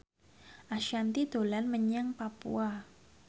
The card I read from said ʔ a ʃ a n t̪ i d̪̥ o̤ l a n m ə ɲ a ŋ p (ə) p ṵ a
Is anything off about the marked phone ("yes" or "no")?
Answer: yes